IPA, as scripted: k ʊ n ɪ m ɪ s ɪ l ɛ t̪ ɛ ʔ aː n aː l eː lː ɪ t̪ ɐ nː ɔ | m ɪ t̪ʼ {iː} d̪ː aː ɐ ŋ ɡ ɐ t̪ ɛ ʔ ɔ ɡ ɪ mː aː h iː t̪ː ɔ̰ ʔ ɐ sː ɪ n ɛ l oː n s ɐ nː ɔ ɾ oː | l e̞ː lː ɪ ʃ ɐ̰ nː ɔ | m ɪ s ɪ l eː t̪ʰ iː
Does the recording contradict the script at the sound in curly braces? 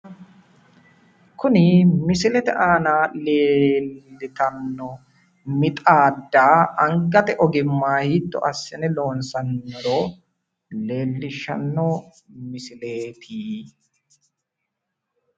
yes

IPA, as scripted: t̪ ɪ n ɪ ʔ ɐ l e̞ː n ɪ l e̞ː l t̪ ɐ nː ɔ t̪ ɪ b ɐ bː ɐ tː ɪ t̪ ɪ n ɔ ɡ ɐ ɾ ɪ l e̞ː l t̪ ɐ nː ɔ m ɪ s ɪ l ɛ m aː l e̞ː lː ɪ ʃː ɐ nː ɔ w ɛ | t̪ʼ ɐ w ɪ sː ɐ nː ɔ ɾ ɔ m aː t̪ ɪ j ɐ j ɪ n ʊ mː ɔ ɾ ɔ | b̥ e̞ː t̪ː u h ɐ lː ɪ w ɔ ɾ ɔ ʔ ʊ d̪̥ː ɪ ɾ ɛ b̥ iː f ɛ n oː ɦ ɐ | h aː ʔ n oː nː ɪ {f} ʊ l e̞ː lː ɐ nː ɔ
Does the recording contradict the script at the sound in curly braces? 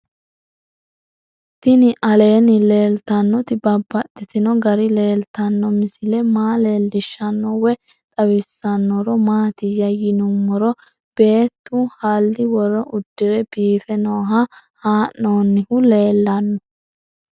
yes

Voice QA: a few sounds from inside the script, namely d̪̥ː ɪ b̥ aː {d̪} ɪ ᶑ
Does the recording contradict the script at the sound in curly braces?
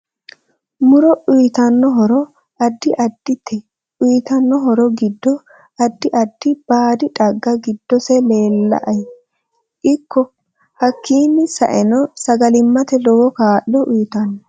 no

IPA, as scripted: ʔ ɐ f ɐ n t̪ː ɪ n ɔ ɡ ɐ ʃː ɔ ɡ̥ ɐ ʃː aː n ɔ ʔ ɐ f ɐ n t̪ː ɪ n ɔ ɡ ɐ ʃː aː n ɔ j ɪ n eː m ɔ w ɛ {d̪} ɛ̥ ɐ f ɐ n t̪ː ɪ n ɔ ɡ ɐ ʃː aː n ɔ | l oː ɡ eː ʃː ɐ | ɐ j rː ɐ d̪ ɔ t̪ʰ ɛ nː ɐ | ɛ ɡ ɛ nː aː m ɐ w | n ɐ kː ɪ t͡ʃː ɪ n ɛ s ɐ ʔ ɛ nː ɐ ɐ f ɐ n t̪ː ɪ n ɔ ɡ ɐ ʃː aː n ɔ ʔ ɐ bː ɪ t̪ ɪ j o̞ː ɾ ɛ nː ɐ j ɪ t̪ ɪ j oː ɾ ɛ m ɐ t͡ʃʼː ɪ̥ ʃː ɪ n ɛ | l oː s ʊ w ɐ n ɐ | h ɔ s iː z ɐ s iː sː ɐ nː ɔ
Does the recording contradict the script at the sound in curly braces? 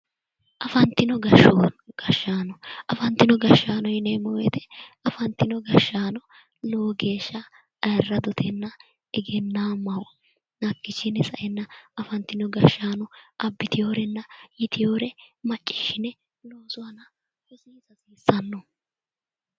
yes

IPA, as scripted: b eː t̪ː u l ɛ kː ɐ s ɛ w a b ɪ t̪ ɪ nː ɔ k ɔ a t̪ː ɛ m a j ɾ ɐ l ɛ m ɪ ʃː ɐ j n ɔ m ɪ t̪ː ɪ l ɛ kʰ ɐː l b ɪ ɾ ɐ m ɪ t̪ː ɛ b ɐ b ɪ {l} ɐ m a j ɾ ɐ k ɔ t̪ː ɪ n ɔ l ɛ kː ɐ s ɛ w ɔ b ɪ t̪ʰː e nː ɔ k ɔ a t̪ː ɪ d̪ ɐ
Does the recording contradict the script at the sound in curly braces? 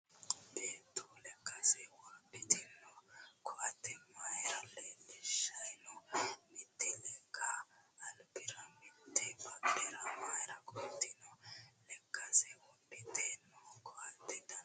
yes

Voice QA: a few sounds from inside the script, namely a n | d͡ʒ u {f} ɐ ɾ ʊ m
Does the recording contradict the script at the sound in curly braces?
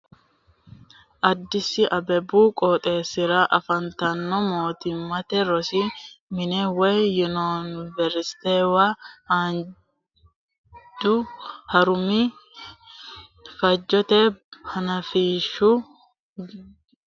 yes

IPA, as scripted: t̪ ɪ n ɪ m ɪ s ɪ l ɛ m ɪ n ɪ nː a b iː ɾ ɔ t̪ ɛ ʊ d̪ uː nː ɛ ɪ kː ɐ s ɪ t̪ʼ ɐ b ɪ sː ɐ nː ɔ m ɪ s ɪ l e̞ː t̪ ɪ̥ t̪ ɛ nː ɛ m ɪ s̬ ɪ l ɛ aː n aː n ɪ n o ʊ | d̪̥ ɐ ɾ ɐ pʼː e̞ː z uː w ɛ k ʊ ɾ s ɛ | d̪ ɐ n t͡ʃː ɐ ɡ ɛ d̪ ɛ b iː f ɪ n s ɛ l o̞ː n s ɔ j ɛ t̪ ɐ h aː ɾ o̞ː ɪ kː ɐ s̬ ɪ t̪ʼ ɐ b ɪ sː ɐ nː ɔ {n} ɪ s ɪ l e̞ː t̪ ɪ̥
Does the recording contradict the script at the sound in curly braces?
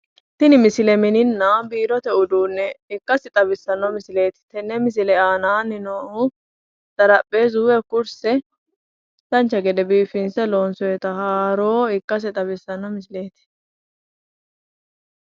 yes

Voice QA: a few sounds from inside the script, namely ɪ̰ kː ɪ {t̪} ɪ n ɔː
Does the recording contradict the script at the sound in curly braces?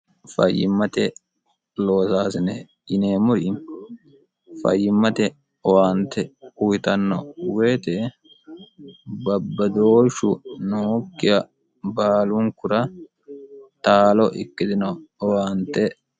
yes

